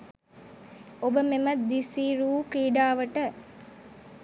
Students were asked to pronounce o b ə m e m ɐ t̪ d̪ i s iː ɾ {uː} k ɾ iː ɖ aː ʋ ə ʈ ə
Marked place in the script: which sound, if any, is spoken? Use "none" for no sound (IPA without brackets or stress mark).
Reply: uː